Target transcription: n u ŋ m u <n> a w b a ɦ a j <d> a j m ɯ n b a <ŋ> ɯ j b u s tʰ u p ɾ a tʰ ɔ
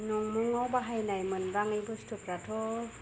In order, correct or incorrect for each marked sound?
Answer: incorrect: ŋ, incorrect: n, correct

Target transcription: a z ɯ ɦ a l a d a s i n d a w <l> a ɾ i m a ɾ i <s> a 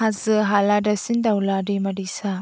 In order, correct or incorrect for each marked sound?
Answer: correct, correct

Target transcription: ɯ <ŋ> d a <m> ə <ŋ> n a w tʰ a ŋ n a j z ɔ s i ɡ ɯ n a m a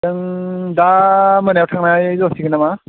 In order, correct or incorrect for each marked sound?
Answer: correct, correct, incorrect: none

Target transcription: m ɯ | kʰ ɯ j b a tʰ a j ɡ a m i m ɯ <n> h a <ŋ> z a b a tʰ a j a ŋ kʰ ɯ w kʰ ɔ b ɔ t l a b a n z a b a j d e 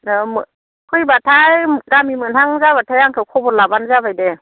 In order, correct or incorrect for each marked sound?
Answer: correct, correct

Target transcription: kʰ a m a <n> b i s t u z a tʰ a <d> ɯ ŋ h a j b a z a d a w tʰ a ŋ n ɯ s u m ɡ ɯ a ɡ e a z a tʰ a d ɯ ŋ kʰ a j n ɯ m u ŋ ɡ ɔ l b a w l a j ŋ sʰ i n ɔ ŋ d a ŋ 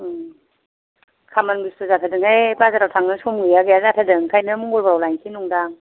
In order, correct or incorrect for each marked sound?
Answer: correct, correct

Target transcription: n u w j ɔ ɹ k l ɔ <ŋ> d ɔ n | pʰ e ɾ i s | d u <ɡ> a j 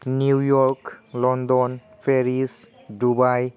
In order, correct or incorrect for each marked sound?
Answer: incorrect: n, incorrect: b

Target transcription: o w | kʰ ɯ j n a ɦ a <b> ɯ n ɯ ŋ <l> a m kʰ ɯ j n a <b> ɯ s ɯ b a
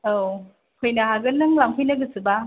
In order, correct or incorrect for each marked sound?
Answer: incorrect: ɡ, correct, incorrect: ɡ

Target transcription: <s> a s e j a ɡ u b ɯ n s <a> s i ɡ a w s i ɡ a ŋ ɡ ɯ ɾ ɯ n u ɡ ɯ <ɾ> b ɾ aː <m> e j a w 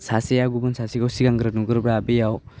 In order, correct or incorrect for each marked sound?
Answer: correct, correct, correct, incorrect: b

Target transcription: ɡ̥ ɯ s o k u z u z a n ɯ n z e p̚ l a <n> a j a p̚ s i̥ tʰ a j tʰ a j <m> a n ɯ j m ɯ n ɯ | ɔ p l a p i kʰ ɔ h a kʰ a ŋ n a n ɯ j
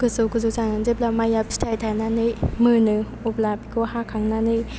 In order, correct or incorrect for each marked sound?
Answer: incorrect: m, incorrect: n

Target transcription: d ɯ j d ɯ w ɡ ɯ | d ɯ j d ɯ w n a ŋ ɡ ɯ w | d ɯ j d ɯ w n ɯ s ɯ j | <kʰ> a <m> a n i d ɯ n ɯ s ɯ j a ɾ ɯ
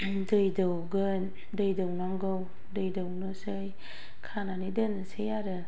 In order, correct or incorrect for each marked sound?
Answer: correct, incorrect: n

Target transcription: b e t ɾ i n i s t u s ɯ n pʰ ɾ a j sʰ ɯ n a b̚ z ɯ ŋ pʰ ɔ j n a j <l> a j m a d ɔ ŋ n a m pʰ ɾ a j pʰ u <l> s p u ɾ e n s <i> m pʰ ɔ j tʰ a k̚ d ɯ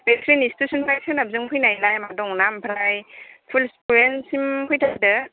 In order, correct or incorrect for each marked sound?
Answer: correct, correct, correct

